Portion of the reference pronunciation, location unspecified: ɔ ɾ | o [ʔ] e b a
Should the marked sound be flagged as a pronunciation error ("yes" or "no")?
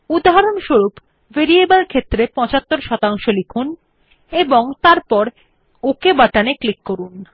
yes